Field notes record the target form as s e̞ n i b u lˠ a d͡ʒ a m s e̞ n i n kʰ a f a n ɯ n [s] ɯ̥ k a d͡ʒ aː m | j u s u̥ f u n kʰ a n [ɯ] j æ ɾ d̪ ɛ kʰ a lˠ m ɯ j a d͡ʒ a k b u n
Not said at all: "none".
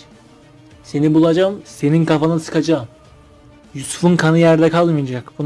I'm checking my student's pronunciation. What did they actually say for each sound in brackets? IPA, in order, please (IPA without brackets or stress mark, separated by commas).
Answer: s, ɯ